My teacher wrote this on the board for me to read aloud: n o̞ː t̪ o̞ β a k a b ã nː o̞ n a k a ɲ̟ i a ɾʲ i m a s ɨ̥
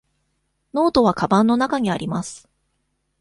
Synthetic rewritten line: n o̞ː t̪ o̞ β a k a b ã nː o̞ n a k a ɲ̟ i a ɾʲ i m a s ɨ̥